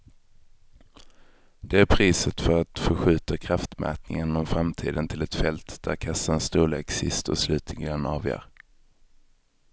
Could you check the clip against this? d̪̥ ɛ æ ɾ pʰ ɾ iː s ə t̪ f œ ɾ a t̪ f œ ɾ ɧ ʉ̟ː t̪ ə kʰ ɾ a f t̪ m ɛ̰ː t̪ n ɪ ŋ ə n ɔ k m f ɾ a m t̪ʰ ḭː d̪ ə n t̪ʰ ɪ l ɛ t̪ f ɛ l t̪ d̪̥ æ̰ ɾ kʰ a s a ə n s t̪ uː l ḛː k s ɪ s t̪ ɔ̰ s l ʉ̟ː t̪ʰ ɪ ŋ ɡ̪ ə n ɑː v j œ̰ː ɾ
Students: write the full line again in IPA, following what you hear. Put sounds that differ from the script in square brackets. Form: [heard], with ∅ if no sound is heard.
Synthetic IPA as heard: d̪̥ ɛ æ ɾ pʰ ɾ iː s ə t̪ f œ ɾ a t̪ f œ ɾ ɧ ʉ̟ː t̪ [a] kʰ ɾ a f t̪ m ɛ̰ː t̪ n ɪ ŋ ə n ɔ [∅] m f ɾ a m t̪ʰ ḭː d̪ ə n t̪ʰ ɪ l ɛ t̪ f ɛ l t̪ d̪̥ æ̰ ɾ kʰ a s a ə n s t̪ uː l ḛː k s ɪ s t̪ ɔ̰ s l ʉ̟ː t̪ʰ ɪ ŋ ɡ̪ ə n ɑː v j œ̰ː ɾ